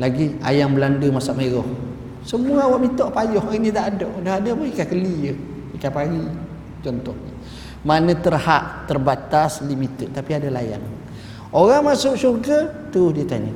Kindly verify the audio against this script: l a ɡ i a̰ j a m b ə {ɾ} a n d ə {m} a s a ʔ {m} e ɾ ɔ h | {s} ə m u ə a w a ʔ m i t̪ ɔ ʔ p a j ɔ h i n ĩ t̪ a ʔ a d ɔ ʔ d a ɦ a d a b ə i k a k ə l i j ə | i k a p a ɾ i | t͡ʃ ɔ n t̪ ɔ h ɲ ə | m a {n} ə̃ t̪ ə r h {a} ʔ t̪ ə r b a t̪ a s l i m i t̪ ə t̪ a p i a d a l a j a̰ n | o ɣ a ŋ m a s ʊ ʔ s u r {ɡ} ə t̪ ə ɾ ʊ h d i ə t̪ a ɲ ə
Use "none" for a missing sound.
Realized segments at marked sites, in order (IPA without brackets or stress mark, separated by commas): l, m, m, s, n, a, ɡ